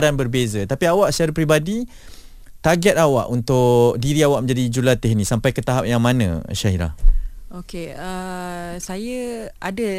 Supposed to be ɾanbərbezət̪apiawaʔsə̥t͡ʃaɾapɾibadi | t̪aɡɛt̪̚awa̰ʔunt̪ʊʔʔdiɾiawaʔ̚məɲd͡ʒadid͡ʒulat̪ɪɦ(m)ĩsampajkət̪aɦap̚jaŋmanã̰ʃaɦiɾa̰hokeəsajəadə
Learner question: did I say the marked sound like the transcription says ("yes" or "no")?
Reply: no